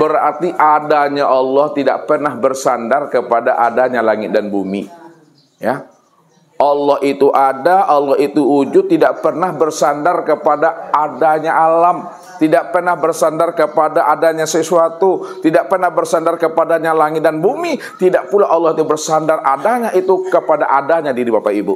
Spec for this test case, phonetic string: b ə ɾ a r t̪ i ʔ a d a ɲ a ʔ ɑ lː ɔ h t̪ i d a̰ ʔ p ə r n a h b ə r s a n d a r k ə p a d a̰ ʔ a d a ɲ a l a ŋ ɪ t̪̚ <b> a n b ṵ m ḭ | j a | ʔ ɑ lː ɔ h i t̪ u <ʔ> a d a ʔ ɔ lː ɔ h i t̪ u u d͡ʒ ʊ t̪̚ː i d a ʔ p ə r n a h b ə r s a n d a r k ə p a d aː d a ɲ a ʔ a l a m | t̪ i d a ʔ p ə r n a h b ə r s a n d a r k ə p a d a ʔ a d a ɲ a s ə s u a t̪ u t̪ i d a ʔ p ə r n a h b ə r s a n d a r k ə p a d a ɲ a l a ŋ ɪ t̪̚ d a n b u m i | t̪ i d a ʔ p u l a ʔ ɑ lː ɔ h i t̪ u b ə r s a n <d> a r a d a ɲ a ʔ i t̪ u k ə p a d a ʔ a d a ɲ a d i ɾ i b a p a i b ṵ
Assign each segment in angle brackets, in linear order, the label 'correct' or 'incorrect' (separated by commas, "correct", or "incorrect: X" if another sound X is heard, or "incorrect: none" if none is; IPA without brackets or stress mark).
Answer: incorrect: d, correct, correct